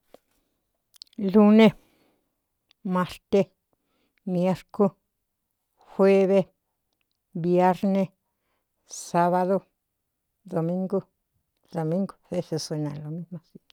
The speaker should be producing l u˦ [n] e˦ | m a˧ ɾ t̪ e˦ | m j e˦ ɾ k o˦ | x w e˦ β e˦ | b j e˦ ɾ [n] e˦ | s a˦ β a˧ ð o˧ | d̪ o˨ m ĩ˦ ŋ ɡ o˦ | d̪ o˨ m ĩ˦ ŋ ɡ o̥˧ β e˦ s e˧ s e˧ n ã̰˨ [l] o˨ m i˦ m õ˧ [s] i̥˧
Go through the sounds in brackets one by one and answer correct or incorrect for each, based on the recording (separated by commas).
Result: correct, correct, correct, correct